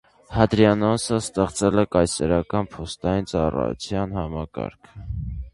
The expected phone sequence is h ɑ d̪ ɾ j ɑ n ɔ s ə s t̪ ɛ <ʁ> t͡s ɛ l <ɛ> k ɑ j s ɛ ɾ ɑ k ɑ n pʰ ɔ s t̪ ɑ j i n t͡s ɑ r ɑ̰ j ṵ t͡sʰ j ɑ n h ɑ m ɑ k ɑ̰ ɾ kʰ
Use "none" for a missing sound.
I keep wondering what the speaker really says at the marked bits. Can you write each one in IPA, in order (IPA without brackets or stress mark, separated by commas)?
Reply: χ, ɛ